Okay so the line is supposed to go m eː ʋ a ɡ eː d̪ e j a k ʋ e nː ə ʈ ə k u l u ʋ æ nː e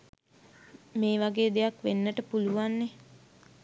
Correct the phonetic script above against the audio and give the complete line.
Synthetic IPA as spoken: m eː ʋ a ɡ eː d̪ e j a k ʋ e nː ə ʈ ə p u l u ʋ a nː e